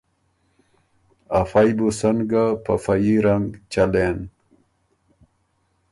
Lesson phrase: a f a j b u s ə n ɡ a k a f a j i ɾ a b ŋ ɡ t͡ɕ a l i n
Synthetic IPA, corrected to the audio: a f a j b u s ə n ɡ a p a f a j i ɾ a ŋ ɡ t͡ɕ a l e n